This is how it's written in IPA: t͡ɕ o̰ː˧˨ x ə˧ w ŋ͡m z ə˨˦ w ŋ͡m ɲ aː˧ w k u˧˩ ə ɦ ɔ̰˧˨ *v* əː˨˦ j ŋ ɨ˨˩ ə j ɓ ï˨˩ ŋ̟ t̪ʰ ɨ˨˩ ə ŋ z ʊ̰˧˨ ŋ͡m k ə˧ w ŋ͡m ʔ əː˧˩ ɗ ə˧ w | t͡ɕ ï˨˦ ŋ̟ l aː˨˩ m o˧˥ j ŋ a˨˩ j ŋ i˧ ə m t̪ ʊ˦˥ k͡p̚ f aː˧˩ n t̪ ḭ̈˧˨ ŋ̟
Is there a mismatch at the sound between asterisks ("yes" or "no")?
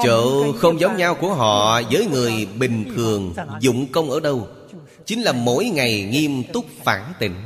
yes